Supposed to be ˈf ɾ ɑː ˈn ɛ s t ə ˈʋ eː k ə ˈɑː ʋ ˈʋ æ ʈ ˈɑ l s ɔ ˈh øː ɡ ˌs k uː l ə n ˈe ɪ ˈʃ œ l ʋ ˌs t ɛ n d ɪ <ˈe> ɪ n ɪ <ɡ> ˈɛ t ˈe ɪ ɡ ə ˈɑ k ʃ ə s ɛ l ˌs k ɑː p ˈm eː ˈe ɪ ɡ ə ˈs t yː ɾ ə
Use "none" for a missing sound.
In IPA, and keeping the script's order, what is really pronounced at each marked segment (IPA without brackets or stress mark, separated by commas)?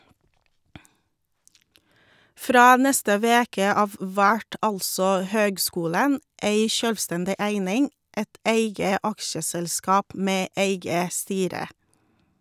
æ, ŋ